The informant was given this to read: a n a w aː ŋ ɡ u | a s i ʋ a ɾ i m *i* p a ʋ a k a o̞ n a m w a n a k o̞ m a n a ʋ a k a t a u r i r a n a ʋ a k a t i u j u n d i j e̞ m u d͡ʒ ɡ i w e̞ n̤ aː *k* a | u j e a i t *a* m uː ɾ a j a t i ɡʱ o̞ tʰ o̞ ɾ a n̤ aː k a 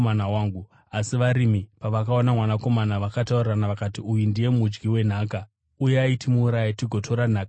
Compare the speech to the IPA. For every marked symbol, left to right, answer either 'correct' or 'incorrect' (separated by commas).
correct, correct, incorrect